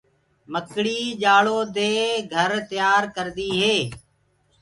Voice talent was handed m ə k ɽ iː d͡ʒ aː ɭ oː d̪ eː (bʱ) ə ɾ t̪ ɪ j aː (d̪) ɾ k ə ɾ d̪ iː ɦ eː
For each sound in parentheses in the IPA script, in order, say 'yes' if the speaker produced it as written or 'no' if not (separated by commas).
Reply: no, no